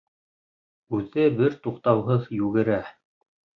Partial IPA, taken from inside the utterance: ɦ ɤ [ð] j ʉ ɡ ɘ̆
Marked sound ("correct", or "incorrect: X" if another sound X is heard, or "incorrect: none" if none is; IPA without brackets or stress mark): correct